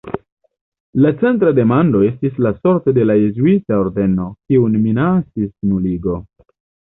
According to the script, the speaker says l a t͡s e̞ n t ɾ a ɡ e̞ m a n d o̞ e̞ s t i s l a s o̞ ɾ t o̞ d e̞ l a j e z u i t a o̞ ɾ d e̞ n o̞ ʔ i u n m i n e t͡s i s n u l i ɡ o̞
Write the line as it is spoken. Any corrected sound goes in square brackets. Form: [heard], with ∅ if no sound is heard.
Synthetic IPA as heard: l a t͡s e̞ n t ɾ a [d] e̞ m a n d o̞ e̞ s t i s l a s o̞ ɾ t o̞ d e̞ l a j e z u i t a o̞ ɾ d e̞ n o̞ [k] i u n m i n [a] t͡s i s n u l i ɡ o̞